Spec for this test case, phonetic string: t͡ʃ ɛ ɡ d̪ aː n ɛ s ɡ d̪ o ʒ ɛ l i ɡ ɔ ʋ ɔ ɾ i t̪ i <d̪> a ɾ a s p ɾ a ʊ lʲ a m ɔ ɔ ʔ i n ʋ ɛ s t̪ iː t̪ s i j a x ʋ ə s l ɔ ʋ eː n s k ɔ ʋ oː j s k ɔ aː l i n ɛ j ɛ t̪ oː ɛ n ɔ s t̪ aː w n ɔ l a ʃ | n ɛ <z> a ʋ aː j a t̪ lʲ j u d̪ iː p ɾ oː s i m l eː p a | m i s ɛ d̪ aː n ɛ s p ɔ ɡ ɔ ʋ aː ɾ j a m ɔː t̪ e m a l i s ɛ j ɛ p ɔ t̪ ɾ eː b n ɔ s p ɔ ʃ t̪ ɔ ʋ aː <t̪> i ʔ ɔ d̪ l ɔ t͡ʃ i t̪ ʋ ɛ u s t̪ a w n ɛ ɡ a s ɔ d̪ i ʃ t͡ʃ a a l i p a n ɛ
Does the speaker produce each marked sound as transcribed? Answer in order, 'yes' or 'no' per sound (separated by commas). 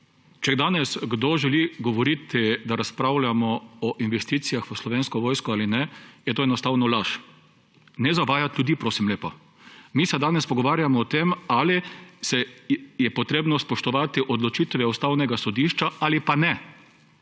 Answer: yes, yes, yes